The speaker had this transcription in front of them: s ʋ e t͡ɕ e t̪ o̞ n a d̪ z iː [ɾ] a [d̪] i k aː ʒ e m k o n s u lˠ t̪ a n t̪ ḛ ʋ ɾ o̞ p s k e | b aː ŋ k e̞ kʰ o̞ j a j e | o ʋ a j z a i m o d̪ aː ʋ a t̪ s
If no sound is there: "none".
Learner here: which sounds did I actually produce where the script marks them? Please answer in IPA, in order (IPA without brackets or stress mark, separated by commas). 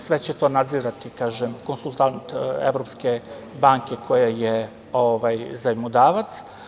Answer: ɾ, t̪